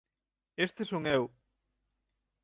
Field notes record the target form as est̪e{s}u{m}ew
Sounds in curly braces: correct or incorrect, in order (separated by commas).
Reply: correct, incorrect